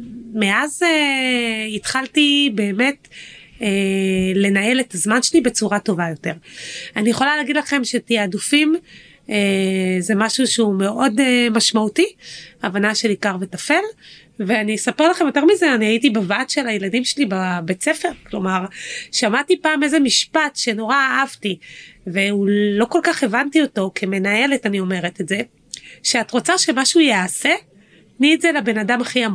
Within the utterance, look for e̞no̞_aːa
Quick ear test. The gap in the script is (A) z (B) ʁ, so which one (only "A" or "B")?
B